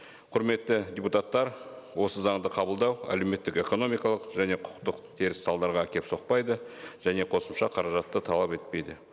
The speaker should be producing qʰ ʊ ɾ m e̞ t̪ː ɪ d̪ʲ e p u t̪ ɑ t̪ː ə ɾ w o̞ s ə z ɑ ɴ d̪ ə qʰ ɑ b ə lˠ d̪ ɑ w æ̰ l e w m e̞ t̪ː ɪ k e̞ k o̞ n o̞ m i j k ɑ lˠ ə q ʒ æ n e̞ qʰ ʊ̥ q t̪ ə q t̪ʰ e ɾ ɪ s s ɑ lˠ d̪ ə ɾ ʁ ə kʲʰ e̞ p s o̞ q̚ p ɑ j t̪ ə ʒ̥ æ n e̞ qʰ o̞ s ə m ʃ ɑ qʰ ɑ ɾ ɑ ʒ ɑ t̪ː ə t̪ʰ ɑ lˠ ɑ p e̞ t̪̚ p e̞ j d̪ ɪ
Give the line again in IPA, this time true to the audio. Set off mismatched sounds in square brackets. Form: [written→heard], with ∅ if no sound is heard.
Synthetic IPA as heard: qʰ ʊ ɾ m e̞ t̪ː ɪ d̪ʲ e p u t̪ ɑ t̪ː [ə→ɑ] ɾ w o̞ s ə z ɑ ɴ d̪ ə qʰ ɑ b ə lˠ d̪ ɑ w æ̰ l e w m e̞ t̪ː ɪ k e̞ k o̞ n o̞ m i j k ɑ lˠ ə q ʒ æ n e̞ qʰ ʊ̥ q t̪ ə q t̪ʰ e ɾ ɪ s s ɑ lˠ d̪ [ə→ɑ] ɾ ʁ [ə→ɑ] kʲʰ e̞ p s o̞ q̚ p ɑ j [t̪→d̪] ə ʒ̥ æ n e̞ qʰ o̞ s ə m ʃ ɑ qʰ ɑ ɾ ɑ ʒ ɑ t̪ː ə t̪ʰ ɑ lˠ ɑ p e̞ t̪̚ p e̞ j d̪ ɪ